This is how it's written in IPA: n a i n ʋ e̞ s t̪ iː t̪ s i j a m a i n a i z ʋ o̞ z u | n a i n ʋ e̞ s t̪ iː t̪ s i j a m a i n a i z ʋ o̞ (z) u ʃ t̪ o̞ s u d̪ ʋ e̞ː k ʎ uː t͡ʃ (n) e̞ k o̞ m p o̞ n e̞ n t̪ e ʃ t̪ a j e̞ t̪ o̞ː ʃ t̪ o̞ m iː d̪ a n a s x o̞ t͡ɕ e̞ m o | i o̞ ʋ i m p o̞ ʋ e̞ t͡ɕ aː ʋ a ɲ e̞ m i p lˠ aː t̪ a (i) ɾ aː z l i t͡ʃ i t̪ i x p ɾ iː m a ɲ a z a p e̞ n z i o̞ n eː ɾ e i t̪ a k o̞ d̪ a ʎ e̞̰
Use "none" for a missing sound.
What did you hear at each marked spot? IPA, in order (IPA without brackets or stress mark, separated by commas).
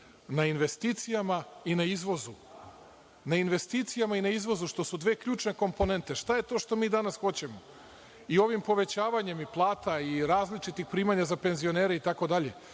z, n, i